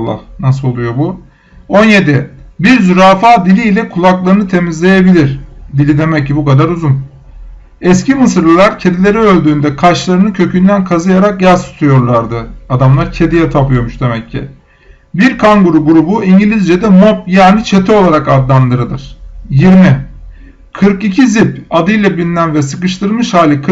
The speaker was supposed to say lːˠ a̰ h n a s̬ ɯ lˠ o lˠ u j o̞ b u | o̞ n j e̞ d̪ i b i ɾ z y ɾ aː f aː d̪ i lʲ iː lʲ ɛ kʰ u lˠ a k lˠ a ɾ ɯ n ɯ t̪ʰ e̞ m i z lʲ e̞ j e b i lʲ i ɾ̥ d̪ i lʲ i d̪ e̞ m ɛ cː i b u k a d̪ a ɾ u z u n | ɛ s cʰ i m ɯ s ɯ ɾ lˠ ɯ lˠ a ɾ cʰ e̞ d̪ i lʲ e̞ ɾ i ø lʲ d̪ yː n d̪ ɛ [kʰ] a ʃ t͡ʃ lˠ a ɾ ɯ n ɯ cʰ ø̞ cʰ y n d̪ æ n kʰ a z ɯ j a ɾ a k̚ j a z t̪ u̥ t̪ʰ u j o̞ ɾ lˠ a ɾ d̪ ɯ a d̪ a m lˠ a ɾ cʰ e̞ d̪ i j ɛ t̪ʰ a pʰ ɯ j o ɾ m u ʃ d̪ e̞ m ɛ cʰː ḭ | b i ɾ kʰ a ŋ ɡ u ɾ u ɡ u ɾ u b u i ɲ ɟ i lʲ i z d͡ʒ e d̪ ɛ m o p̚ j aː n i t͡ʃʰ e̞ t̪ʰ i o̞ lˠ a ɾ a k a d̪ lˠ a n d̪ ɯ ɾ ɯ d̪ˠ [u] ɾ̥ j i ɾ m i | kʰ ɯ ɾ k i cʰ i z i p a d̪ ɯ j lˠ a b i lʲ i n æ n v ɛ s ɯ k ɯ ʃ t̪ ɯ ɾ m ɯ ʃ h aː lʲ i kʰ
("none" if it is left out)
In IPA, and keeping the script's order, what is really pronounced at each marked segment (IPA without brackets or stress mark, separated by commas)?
kʰ, ɯ